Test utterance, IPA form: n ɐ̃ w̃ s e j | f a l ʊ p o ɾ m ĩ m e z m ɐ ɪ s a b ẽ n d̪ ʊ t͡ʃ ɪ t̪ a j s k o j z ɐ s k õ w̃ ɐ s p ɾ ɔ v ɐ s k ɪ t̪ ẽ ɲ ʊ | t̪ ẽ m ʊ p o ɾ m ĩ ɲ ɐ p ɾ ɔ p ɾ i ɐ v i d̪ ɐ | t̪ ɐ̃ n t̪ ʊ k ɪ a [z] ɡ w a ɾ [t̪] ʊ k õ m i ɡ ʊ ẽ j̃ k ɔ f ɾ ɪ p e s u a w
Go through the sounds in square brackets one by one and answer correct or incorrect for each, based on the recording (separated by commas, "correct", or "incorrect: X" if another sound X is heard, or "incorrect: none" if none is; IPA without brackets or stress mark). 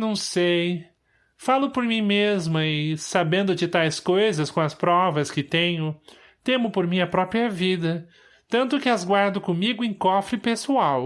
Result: correct, incorrect: d̪